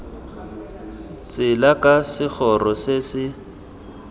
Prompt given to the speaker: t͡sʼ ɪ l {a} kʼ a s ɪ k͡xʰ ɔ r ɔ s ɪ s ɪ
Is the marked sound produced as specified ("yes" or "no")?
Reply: yes